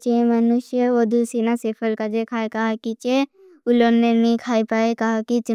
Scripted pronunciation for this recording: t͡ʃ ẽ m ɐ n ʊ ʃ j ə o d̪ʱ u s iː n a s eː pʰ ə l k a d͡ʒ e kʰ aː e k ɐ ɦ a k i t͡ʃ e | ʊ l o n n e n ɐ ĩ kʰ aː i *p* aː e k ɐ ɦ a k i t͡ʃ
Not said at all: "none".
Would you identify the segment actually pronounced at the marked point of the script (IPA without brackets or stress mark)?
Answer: p